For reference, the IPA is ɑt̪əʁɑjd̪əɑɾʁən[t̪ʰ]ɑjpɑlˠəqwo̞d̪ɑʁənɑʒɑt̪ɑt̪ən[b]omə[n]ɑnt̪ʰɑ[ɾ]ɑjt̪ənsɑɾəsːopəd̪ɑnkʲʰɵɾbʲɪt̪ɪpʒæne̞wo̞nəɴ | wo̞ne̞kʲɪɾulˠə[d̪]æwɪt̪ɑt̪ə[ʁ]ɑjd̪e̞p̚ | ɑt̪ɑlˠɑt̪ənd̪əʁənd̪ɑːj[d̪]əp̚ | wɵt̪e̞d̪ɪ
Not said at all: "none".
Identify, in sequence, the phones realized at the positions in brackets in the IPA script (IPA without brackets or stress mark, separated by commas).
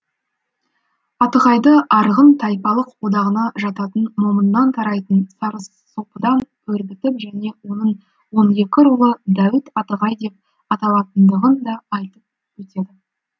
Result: t̪ʰ, m, nː, ɾ, d̪, ʁ, t̪